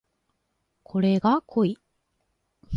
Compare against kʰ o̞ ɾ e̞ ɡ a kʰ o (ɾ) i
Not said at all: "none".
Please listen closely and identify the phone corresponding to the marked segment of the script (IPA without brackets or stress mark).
none